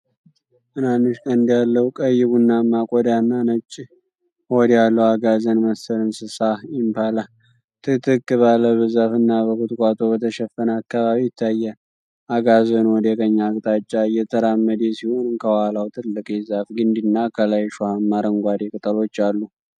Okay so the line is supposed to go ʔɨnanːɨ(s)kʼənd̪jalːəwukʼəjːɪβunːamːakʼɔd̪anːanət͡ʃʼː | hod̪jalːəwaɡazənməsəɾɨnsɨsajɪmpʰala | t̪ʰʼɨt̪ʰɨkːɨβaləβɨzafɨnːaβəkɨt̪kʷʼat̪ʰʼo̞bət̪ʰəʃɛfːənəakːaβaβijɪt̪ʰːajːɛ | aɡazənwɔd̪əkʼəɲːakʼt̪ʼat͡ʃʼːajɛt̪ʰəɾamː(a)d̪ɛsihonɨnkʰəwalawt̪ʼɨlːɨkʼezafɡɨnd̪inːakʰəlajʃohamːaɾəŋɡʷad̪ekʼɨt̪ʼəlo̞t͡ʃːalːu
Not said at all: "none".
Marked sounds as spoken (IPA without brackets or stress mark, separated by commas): ʃ, ə